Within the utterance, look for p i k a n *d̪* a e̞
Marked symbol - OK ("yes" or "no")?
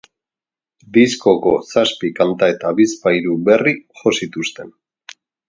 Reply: no